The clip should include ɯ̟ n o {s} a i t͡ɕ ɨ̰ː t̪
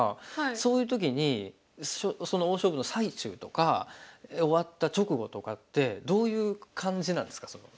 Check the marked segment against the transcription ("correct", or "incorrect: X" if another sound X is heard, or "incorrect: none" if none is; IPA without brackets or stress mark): correct